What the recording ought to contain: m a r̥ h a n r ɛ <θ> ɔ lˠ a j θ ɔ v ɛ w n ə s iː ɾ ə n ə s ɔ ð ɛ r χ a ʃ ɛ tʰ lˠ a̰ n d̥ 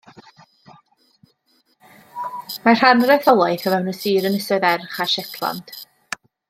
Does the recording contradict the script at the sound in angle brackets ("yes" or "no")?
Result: no